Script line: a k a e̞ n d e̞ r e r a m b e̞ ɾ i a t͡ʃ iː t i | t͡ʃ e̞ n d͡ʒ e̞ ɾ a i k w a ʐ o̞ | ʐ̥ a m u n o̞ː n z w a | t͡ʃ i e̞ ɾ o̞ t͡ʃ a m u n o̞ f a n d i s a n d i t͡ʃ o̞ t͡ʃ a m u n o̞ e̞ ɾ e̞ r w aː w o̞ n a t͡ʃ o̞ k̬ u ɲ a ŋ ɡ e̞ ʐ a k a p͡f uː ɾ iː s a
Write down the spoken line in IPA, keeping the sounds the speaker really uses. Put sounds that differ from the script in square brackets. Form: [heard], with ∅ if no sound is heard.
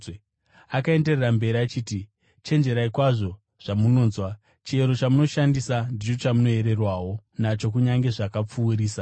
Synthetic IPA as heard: a k a e̞ n d e̞ r e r a m b e̞ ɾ i a t͡ʃ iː t i | t͡ʃ e̞ n d͡ʒ e̞ ɾ a i k w a ʐ o̞ | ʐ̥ a m u n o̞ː n z w a | t͡ʃ i e̞ ɾ o̞ t͡ʃ a m u n o̞ [ʃ] a n d i s a n d i t͡ʃ o̞ t͡ʃ a m u n o̞ e̞ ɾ e̞ r w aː w o̞ n a t͡ʃ o̞ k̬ u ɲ a ŋ ɡ e̞ ʐ a k a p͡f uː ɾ iː s a

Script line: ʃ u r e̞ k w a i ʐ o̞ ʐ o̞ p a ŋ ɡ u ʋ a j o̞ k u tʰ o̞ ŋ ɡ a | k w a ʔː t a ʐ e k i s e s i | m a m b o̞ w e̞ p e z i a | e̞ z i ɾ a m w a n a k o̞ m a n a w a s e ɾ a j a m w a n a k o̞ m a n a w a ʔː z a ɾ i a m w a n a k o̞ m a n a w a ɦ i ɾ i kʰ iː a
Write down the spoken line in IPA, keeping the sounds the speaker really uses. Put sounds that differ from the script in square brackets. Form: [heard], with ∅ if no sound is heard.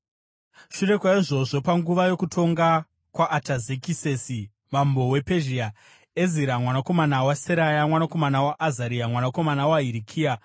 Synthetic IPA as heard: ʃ u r e̞ k w a i ʐ o̞ ʐ o̞ p a ŋ ɡ u ʋ a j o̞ k u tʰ o̞ ŋ ɡ a | k w a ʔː t a [z] e k i s e s i | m a m b o̞ w e̞ p e [ʒ] i a | e̞ z i ɾ a m w a n a k o̞ m a n a w a s e ɾ a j a m w a n a k o̞ m a n a w a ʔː z a ɾ i a m w a n a k o̞ m a n a w a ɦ i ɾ i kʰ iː a

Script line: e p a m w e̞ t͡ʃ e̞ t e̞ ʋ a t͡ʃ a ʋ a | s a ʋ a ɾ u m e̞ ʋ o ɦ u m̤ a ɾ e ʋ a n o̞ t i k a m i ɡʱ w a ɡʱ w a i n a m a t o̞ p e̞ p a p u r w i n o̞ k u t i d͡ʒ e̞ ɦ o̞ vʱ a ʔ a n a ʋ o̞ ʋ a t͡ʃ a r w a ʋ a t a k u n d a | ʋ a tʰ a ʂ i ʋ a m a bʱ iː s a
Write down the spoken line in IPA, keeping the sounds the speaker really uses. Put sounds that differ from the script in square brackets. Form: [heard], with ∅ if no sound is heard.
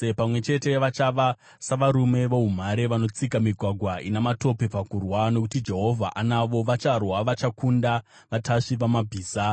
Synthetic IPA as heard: e p a m w e̞ t͡ʃ e̞ t e̞ ʋ a t͡ʃ a ʋ a | s a ʋ a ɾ u m e̞ ʋ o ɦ u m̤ a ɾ e ʋ a n o̞ [t͡s] i k a m i ɡʱ w a ɡʱ w a i n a m a t o̞ p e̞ p a [k] u r w [a] n o̞ k u t i d͡ʒ e̞ ɦ o̞ vʱ a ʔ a n a ʋ o̞ ʋ a t͡ʃ a r w a ʋ a [t͡ʃ] a k u n d a | ʋ a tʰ a ʂ i ʋ a m a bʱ iː s a

